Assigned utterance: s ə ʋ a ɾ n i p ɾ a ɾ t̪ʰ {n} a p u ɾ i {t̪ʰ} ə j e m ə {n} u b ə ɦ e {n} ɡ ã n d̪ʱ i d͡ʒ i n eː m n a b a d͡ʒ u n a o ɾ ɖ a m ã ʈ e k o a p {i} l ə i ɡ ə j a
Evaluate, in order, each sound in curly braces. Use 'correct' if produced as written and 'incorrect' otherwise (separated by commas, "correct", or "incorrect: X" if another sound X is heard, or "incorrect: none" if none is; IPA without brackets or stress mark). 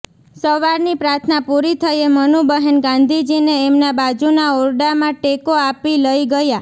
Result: correct, correct, correct, correct, correct